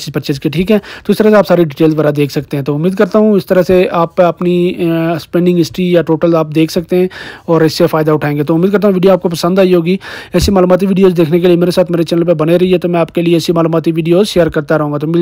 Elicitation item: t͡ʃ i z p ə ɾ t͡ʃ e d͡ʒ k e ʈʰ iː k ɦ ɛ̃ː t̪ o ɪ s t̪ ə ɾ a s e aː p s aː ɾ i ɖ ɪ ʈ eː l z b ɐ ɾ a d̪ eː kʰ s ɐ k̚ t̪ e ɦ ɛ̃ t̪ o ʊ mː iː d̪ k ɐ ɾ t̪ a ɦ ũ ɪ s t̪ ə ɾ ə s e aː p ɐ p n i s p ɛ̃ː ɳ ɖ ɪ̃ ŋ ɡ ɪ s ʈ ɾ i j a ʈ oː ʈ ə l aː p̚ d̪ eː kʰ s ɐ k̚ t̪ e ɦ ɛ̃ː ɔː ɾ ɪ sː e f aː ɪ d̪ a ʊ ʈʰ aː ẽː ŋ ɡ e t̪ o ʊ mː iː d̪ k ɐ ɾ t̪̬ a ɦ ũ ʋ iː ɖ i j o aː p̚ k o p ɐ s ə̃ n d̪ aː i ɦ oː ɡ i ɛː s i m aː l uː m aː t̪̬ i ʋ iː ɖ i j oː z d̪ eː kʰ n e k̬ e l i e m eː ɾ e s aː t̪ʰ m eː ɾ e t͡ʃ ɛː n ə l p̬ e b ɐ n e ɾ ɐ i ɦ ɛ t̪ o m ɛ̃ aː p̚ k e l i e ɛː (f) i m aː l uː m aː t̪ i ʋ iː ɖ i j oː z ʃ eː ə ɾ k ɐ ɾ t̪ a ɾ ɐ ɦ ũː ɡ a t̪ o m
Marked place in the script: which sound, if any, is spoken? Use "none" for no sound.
s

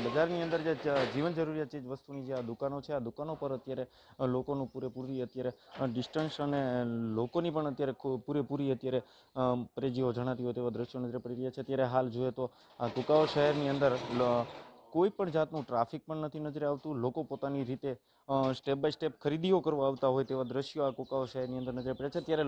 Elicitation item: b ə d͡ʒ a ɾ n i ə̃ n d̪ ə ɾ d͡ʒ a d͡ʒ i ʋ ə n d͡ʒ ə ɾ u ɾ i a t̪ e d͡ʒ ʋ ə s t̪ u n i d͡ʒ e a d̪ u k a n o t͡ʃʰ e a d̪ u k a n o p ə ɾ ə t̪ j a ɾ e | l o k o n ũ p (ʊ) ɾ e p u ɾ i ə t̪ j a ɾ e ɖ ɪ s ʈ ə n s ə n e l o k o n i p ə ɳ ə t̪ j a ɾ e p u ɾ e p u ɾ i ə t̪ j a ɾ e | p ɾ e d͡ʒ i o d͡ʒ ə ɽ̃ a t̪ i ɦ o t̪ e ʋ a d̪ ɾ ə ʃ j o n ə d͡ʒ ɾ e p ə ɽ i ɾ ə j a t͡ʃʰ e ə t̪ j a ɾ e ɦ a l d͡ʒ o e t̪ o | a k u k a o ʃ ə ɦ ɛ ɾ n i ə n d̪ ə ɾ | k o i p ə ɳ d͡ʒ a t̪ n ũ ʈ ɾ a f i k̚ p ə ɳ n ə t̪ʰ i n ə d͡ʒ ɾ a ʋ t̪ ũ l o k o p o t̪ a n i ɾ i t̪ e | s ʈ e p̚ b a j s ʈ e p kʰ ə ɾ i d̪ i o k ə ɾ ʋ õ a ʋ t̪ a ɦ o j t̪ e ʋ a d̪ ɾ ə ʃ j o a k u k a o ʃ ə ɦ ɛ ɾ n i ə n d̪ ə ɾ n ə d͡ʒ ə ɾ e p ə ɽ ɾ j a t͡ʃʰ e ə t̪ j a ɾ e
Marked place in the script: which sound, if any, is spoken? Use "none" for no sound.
u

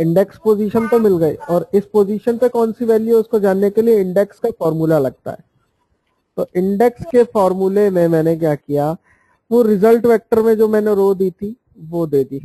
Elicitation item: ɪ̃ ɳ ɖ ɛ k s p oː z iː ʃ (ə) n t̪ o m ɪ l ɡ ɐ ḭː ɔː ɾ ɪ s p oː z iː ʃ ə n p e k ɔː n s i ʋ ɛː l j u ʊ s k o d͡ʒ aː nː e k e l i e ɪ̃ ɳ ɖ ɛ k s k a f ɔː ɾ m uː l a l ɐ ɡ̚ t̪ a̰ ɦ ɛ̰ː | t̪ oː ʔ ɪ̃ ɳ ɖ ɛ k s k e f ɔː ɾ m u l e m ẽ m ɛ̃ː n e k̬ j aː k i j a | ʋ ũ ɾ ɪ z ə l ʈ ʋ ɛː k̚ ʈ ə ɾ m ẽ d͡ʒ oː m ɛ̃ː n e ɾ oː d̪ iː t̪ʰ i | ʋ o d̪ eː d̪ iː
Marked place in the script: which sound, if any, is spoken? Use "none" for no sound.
ə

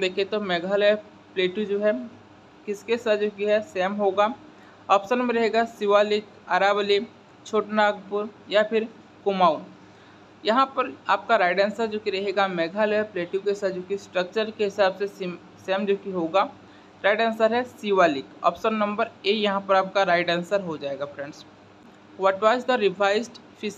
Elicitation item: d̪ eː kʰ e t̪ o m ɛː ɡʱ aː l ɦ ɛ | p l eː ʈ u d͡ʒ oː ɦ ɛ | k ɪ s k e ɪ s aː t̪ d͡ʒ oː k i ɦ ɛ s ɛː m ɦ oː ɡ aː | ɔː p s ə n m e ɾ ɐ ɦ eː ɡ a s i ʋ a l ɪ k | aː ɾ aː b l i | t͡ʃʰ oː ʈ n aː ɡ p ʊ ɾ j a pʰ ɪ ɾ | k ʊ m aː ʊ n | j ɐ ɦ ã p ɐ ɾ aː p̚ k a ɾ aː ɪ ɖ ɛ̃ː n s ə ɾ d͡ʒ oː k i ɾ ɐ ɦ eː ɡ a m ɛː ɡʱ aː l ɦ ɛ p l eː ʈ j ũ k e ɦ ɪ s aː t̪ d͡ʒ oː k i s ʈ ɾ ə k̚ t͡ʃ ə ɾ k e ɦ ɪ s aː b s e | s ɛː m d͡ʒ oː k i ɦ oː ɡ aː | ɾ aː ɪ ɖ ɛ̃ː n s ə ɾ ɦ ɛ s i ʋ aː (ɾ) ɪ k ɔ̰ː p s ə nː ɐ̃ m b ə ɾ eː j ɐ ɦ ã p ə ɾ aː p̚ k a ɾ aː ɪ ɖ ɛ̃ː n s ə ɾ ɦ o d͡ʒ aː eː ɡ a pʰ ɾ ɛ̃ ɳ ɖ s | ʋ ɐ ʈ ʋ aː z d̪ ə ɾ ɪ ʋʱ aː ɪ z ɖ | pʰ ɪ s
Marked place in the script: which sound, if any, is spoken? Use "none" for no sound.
l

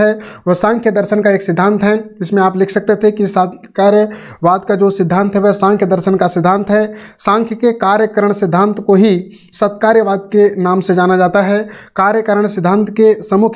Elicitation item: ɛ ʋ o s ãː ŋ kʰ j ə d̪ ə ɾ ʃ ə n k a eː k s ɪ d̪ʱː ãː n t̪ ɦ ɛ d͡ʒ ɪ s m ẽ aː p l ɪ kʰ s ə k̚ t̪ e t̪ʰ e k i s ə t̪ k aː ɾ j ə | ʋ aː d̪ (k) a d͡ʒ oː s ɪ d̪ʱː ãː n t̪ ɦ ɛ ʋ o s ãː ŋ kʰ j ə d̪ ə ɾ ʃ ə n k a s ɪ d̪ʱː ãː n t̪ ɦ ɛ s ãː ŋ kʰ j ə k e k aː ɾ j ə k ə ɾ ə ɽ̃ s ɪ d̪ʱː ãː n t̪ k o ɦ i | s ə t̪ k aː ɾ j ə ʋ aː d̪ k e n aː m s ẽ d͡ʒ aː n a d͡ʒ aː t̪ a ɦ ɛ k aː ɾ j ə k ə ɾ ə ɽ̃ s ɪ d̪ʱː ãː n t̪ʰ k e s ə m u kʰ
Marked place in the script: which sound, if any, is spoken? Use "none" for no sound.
k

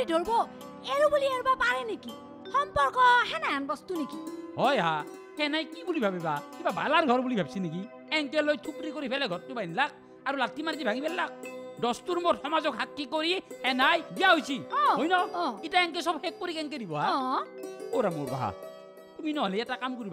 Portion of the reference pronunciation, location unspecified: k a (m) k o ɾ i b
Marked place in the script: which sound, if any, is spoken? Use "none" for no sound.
m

